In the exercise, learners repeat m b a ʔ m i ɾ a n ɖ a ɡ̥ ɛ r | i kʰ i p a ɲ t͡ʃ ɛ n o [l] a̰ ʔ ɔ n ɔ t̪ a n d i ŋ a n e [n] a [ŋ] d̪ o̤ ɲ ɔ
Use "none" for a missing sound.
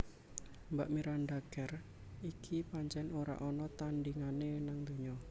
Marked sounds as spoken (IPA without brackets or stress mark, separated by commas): ɾ, n, ŋ